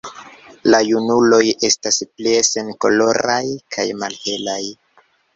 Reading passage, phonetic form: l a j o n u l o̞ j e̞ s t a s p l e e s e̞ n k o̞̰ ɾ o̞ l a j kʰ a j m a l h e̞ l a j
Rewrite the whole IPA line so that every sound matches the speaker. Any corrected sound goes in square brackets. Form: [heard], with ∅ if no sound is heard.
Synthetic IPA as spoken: l a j [u] n u l o̞ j e̞ s t a s p l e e s e̞ n k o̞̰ [l] o̞ [ɾ] a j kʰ a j m a l h e̞ l a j